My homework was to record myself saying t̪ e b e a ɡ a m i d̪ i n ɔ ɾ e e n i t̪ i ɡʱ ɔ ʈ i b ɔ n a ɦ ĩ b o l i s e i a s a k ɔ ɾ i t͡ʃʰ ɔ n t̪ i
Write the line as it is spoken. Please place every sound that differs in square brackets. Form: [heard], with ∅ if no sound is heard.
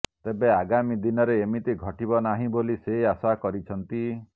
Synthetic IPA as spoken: t̪ e b e a ɡ a m i d̪ i n ɔ ɾ e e [m] i t̪ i ɡʱ ɔ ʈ i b ɔ n a ɦ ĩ b o l i s e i a s a k ɔ ɾ i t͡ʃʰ ɔ n t̪ i